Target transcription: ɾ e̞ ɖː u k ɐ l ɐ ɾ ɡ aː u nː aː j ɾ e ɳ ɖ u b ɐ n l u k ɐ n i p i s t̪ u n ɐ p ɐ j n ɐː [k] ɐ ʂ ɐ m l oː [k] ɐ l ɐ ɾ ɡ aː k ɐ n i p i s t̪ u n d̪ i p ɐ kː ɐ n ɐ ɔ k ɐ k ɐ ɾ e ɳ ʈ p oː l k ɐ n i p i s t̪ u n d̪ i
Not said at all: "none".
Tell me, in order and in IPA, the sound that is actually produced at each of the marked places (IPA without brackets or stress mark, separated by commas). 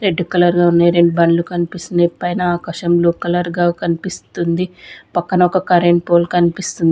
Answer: k, k